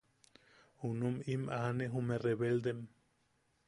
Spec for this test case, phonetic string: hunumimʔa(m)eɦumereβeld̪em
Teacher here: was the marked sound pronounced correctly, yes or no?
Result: no